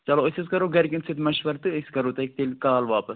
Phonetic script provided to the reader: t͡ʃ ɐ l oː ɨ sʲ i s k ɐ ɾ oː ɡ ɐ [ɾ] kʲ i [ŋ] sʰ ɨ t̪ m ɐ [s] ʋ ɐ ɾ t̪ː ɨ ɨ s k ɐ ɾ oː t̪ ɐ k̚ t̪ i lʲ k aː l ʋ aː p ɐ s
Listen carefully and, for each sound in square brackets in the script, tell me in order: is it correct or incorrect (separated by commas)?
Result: correct, incorrect, incorrect